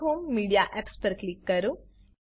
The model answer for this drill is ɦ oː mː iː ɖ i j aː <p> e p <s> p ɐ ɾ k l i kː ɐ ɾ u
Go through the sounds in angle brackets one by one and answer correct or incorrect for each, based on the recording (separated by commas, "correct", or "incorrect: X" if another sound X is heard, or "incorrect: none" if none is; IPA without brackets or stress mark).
incorrect: ʔ, correct